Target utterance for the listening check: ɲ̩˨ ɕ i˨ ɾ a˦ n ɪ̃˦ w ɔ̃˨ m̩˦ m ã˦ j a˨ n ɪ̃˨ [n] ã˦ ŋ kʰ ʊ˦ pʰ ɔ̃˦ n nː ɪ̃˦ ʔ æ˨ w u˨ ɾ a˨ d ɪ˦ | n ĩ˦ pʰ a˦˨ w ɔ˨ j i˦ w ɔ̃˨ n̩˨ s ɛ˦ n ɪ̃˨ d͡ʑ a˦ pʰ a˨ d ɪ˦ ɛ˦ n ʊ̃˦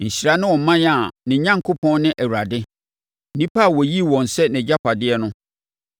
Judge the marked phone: incorrect: ɲ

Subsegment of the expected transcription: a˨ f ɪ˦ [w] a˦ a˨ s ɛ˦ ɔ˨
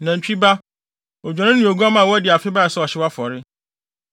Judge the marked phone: incorrect: b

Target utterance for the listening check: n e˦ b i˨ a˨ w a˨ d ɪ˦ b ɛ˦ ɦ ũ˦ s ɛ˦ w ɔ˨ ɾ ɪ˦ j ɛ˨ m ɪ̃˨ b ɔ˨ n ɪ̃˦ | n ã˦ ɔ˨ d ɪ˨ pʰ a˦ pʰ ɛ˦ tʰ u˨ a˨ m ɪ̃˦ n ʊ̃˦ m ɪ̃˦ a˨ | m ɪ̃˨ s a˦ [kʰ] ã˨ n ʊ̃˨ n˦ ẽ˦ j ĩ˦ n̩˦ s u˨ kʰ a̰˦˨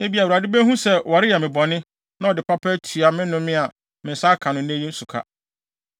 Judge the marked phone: correct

